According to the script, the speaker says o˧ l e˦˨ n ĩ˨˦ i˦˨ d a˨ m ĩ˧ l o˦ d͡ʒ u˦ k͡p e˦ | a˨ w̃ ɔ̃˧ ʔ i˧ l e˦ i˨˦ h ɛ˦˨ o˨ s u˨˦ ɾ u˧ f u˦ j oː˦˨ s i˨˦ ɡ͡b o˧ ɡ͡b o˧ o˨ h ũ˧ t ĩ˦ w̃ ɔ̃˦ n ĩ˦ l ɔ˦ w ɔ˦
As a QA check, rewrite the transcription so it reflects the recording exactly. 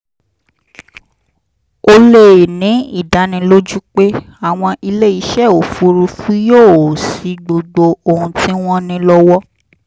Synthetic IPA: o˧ l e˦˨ n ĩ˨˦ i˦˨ d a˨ n ĩ˧ l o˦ d͡ʒ u˦ k͡p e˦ | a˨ w̃ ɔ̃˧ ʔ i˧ l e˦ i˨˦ ʃ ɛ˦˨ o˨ f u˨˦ ɾ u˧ f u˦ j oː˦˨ s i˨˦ ɡ͡b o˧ ɡ͡b o˧ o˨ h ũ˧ t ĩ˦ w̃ ɔ̃˦ n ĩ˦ l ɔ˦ w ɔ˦

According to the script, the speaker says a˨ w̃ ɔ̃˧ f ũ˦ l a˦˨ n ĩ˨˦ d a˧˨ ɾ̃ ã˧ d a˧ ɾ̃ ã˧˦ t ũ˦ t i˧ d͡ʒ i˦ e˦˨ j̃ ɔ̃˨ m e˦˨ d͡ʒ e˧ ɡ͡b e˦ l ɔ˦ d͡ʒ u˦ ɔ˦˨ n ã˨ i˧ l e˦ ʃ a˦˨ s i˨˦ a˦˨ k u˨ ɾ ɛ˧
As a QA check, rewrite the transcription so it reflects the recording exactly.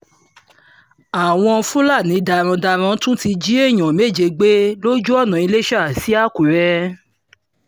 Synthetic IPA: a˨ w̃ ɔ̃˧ f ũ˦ l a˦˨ n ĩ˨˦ d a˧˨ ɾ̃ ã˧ d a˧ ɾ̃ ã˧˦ t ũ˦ t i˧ d͡ʒ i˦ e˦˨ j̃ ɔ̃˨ m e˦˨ d͡ʒ e˧ ɡ͡b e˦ l o˦ d͡ʒ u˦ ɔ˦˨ n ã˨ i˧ l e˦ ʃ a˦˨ s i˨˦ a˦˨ k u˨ ɾ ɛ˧

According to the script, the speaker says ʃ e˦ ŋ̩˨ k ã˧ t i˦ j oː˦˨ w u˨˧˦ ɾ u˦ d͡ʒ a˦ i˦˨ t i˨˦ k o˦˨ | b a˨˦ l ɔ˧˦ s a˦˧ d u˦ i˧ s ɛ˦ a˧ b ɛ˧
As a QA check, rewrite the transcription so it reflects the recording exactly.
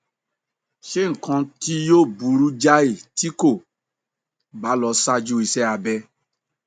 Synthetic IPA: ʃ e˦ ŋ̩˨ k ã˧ t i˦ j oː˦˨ b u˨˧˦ ɾ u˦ d͡ʒ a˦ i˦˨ t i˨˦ k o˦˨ | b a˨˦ l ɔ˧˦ s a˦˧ d͡ʒ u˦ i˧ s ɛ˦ a˧ b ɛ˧

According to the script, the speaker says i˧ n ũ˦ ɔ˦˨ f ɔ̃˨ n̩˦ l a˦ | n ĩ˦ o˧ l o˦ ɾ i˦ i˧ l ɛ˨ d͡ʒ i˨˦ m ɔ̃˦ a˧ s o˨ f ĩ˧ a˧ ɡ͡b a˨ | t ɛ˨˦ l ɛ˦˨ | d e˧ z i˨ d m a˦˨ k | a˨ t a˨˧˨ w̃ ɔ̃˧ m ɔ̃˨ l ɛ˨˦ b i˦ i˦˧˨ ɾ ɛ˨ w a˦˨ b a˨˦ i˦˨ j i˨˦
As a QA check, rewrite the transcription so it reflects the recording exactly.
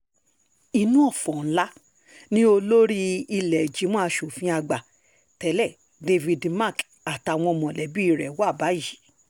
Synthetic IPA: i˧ n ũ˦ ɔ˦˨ f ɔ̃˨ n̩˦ l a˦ | n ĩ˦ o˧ l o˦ ɾ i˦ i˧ l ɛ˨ d͡ʒ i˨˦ m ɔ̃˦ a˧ ʃ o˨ f ĩ˧ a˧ ɡ͡b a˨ | t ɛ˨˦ l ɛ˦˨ | d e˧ v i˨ d m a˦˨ k | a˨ t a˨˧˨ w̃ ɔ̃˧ m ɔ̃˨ l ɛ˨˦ b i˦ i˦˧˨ ɾ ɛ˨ w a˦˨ b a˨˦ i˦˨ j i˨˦

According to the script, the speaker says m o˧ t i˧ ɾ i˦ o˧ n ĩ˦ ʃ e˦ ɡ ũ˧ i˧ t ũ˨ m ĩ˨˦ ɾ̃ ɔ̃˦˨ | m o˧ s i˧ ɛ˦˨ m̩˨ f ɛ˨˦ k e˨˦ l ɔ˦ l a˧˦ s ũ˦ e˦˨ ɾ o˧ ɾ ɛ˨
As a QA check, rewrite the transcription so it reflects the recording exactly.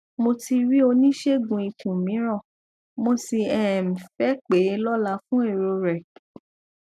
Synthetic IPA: m o˧ t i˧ ɾ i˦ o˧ n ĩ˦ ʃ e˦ ɡ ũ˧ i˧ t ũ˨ m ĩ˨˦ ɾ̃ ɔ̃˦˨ | m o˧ s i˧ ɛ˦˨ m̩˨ f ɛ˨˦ k͡p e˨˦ l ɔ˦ l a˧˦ f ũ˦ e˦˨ ɾ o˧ ɾ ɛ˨

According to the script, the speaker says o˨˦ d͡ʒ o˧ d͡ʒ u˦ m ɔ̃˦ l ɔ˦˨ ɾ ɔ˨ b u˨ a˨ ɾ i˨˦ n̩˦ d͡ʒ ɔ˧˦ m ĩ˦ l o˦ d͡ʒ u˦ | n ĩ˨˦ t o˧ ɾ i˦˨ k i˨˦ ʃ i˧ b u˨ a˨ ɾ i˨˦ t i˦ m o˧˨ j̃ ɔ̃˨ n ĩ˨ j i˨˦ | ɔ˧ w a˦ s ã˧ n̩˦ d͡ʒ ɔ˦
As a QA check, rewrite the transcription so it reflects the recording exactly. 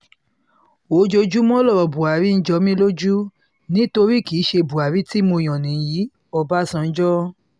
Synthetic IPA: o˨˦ d͡ʒ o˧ d͡ʒ u˦ m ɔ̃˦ l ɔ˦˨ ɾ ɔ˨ b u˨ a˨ ɾ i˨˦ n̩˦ d͡ʒ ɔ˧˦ m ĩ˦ l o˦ d͡ʒ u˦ | n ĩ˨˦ t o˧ ɾ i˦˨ k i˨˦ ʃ e˧ b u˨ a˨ ɾ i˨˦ t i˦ m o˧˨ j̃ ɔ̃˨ n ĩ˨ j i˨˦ | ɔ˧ b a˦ s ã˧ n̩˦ d͡ʒ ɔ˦

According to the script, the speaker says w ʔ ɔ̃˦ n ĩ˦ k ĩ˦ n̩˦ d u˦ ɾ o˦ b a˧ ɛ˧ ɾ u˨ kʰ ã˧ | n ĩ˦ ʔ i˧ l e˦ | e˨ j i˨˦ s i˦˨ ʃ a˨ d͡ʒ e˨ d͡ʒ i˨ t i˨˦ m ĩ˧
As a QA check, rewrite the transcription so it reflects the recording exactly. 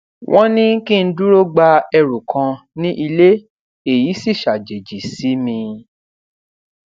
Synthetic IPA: w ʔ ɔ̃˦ n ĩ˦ k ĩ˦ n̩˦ d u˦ ɾ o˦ ɡ͡b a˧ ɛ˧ ɾ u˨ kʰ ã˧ | n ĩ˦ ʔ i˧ l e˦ | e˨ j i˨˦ s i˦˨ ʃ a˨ d͡ʒ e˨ d͡ʒ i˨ s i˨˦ m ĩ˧

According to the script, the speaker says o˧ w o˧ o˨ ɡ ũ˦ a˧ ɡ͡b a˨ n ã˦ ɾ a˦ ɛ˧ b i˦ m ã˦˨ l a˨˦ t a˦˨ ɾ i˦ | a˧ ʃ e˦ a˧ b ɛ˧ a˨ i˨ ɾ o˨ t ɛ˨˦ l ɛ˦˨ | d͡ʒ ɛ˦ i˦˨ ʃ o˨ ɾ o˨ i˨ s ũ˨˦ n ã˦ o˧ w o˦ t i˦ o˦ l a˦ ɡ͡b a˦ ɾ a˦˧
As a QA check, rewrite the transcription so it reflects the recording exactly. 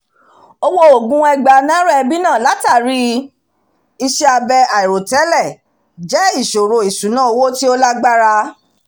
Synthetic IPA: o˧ w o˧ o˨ ɡ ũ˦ ɛ˧ ɡ͡b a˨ n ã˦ ɾ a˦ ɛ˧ b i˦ n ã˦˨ l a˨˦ t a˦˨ ɾ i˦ | i˧ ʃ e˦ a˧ b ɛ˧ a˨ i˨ ɾ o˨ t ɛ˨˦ l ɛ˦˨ | d͡ʒ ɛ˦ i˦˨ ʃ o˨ ɾ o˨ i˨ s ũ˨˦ n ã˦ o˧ w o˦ t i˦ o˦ l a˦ ɡ͡b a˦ ɾ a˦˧

